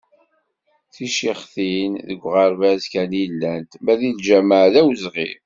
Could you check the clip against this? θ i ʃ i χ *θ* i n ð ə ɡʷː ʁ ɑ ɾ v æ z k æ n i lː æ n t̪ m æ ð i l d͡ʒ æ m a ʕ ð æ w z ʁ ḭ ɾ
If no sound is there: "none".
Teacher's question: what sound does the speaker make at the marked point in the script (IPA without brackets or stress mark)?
θ